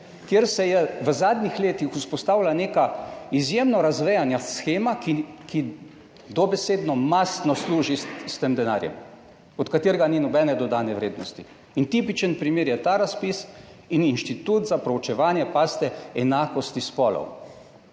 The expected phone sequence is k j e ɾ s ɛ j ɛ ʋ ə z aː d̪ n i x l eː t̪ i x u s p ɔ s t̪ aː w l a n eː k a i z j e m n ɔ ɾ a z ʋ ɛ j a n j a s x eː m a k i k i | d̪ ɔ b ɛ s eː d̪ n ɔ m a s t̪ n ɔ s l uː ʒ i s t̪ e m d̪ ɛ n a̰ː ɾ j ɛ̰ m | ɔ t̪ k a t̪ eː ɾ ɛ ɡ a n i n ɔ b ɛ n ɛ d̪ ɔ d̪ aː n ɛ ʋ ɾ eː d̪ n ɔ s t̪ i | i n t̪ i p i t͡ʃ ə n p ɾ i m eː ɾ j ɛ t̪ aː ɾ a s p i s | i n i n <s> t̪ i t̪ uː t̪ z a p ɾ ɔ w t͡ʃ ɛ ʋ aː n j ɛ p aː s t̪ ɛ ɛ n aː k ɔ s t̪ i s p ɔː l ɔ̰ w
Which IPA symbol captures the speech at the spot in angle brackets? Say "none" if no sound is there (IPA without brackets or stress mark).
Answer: ʃ